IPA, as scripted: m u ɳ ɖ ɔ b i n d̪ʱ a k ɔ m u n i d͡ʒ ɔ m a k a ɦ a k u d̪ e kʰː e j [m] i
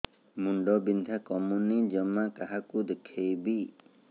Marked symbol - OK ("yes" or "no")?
no